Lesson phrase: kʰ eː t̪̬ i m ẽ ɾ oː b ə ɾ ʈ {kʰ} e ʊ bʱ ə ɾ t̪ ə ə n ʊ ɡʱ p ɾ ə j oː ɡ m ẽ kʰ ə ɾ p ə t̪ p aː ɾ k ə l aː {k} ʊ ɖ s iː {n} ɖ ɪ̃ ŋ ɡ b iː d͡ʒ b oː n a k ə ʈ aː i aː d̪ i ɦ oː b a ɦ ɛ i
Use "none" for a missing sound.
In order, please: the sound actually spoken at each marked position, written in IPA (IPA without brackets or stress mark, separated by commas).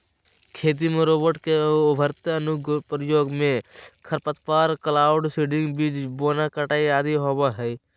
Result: k, none, none